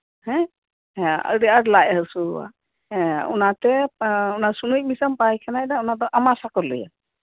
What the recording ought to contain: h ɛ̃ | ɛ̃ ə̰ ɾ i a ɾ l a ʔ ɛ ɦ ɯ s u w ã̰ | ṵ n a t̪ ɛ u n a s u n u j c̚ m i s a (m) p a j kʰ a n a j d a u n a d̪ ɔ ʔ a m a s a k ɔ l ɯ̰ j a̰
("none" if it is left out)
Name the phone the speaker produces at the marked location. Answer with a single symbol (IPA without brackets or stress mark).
m